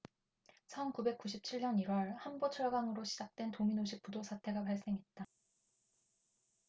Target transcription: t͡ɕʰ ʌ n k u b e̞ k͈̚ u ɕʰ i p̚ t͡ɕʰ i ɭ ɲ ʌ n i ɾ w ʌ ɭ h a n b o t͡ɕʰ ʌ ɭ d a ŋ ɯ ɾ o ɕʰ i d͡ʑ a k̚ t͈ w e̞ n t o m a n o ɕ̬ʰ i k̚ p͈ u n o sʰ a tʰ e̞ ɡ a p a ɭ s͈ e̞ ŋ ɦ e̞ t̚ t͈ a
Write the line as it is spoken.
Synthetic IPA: t͡ɕʰ ʌ n k u b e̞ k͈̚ u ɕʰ i p̚ t͡ɕʰ i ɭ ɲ ʌ n i ɾ w ʌ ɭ h a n b o t͡ɕʰ ʌ ɭ ɡ a ŋ ɯ ɾ o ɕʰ i d͡ʑ a k̚ t͈ w e̞ n t o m i n o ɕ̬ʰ i k̚ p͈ u d o sʰ a tʰ e̞ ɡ a p a ɭ s͈ e̞ ŋ ɦ e̞ t̚ t͈ a